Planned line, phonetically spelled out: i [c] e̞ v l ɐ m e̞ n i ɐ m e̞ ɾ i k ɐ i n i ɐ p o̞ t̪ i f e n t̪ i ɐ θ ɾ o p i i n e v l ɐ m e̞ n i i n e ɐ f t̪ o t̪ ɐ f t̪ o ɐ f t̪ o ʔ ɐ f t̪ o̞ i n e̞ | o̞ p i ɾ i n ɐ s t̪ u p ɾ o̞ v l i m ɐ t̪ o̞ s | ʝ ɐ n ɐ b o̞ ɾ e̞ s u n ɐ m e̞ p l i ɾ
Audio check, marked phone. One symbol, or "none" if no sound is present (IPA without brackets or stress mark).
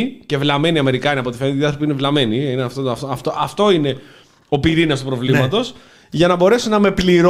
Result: c